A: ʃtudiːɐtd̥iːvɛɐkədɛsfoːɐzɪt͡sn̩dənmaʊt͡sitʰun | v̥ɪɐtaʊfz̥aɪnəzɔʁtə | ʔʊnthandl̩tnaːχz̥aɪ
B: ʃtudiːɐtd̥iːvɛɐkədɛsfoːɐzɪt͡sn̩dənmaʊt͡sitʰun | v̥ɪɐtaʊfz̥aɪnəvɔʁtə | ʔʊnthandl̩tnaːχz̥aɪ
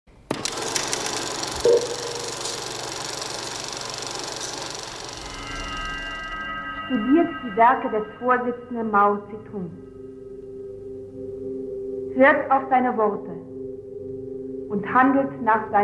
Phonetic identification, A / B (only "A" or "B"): B